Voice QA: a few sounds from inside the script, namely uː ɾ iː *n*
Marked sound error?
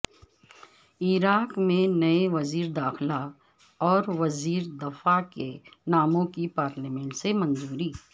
yes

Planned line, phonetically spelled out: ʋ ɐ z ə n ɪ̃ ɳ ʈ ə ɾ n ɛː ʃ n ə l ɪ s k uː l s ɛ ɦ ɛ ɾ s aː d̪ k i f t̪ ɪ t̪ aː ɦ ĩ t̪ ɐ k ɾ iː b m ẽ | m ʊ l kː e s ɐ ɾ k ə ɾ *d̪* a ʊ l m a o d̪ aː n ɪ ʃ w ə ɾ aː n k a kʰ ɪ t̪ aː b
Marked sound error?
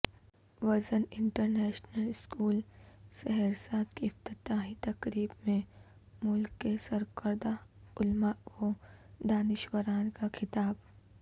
no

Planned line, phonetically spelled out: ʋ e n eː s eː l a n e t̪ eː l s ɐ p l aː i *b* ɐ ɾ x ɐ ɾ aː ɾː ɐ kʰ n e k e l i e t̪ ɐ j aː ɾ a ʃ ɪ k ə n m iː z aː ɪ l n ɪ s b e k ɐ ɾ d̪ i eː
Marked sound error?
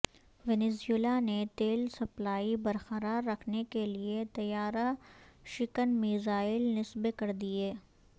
no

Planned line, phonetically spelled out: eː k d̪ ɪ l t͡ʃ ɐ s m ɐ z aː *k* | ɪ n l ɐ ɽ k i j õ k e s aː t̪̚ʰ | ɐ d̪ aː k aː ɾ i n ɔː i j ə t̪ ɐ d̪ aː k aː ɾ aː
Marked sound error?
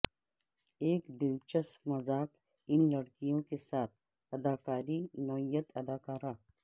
no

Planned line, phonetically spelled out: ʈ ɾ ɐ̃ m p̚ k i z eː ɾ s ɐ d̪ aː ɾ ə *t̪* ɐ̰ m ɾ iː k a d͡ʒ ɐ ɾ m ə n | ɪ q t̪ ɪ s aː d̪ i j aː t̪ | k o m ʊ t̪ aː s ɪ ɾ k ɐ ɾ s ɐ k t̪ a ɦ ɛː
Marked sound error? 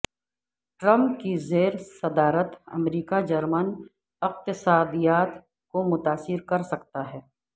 no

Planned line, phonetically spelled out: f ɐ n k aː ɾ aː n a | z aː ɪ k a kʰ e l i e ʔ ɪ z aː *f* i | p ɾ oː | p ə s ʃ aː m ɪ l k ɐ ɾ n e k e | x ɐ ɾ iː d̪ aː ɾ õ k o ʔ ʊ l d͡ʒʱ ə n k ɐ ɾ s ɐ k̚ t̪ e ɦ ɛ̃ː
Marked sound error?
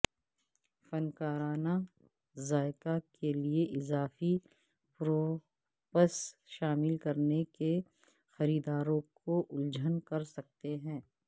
no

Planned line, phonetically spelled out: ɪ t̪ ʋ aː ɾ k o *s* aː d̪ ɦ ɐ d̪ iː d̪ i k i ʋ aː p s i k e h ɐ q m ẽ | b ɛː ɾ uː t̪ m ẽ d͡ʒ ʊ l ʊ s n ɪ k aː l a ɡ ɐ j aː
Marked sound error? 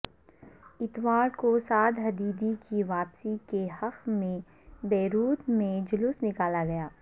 no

